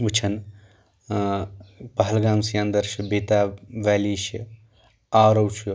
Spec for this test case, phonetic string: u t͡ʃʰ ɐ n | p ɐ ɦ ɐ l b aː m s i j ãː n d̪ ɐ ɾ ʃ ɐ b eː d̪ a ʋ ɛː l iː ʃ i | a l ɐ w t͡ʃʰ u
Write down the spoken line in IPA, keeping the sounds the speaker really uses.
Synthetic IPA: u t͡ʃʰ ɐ n | p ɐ ɦ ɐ l ɡ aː m s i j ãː n d̪ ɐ ɾ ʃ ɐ b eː t̪ a ʋ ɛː l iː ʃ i | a ɾ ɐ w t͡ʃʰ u